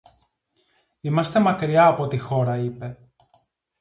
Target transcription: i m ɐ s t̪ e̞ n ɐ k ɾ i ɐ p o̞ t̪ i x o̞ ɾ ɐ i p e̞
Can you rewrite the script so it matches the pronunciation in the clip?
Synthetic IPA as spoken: i m ɐ s t̪ e̞ m ɐ k ɾ i ɐː p o̞ t̪ i x o̞ ɾ ɐ i p e̞